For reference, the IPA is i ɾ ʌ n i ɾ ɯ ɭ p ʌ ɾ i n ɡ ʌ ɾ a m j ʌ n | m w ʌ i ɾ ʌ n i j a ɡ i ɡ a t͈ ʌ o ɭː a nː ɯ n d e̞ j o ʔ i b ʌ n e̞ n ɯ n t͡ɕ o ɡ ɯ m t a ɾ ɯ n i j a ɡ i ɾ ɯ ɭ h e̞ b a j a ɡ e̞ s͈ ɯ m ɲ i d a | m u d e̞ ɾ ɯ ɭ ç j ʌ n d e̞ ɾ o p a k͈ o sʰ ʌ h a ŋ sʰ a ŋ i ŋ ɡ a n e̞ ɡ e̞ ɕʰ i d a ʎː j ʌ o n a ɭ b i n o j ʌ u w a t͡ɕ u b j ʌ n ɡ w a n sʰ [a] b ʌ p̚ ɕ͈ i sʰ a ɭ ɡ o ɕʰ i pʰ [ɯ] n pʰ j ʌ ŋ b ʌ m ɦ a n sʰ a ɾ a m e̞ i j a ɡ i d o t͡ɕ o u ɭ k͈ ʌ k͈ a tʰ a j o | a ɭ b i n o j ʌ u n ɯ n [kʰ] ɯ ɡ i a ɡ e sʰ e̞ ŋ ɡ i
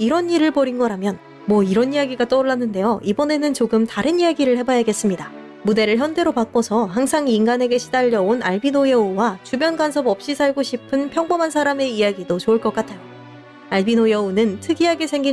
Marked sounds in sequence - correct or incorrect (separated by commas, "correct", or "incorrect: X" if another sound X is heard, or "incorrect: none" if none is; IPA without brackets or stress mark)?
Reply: incorrect: ʌ, correct, incorrect: tʰ